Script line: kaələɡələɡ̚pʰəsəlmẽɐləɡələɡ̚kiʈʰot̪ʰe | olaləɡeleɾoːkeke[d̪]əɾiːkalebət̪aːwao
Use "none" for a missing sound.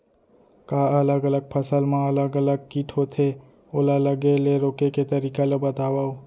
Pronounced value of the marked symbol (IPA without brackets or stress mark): t̪